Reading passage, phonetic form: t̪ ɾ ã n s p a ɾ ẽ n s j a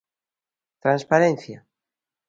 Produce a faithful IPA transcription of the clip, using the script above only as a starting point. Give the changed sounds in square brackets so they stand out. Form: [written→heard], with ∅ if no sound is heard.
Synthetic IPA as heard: t̪ ɾ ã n s p a ɾ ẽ n [s→θ] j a